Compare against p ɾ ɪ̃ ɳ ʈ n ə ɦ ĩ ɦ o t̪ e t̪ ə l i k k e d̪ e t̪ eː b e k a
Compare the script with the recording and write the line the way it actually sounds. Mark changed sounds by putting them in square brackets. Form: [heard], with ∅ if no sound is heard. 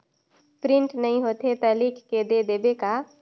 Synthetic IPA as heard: p ɾ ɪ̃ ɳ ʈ n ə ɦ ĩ ɦ o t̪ e t̪ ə l i k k e d̪ e [d̪] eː b e k a